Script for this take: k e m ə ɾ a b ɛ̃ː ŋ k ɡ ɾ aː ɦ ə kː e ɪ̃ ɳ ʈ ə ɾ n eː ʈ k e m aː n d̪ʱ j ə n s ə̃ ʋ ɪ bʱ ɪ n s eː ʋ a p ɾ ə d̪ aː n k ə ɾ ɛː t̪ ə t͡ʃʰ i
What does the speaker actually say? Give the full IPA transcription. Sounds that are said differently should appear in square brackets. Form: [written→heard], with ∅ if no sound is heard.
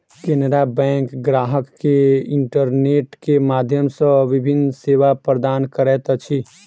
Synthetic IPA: k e [m→n] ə ɾ a b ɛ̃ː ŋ k ɡ ɾ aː ɦ ə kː e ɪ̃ ɳ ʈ ə ɾ n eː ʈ k e m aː [n→∅] d̪ʱ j ə [n→m] s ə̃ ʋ ɪ bʱ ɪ n s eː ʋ a p ɾ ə d̪ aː n k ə ɾ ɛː t̪ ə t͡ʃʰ i